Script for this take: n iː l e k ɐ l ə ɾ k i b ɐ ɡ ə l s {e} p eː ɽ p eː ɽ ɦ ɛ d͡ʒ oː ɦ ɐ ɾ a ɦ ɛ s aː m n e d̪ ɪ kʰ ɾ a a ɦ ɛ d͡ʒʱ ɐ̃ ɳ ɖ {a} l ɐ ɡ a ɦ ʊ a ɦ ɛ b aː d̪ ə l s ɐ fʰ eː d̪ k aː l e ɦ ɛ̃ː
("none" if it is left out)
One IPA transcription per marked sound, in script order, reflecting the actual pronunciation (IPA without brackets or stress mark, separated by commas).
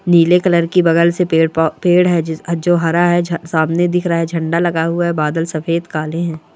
e, a